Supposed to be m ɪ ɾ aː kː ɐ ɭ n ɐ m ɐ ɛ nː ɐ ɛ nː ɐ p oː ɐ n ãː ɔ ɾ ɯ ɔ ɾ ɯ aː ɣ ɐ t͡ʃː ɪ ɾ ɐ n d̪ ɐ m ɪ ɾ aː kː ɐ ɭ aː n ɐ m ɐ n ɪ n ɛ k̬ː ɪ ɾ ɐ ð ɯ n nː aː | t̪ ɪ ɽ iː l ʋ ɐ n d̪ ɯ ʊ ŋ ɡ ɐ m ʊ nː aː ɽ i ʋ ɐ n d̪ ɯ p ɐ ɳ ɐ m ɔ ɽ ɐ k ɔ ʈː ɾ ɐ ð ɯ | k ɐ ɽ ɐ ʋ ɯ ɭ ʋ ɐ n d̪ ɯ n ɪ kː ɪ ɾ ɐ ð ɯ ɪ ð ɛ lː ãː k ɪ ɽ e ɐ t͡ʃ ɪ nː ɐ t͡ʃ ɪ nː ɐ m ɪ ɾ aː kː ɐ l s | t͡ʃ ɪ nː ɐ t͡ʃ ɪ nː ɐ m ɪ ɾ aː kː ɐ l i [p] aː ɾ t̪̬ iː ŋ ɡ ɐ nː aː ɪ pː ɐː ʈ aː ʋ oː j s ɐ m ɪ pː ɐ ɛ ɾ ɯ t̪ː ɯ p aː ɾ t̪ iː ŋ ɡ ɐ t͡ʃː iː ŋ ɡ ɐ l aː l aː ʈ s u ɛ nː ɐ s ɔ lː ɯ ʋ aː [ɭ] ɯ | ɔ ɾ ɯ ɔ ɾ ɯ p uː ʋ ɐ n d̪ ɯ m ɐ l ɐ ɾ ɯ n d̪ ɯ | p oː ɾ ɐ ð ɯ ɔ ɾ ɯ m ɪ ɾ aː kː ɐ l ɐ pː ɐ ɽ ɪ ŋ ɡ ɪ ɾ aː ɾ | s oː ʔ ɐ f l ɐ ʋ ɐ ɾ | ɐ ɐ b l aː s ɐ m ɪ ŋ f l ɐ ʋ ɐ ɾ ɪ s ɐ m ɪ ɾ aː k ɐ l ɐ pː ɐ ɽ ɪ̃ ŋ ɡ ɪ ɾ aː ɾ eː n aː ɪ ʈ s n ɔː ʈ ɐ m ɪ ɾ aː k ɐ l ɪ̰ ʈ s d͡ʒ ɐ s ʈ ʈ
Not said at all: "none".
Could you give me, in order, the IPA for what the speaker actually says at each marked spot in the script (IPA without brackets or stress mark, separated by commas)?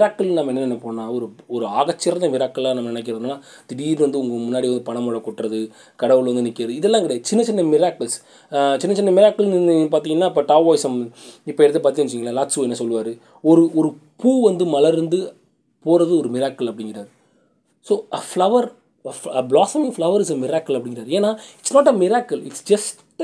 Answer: p, ɾ